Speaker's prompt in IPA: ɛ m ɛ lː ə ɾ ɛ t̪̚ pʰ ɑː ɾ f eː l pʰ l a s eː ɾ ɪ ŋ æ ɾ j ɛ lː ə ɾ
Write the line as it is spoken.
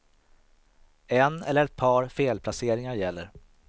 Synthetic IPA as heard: ɛ n ɛ lː ə ɾ ɛ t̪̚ pʰ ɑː ɾ f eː l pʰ l a s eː ɾ ɪ ŋ a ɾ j ɛ lː ə ɾ

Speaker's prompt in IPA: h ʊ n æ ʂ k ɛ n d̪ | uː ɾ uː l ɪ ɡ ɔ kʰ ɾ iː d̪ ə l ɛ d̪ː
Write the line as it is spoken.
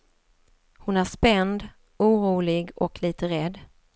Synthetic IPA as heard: h ʊ n æ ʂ p ɛ n d̪ | uː ɾ uː l ɪ ɡ ɔ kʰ l iː t̪ ə ɾ ɛ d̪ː

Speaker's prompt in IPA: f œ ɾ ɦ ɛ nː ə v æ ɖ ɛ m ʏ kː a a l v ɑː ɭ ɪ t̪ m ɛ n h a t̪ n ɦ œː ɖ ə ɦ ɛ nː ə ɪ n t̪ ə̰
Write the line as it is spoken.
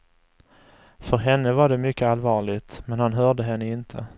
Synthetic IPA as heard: f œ ɾ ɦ ɛ nː ə v a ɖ ɛ m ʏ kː ə a l v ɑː ɭ ɪ t̪ m ɛ n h a n ɦ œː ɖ ə ɦ ɛ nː ə ɪ n t̪ʰ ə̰

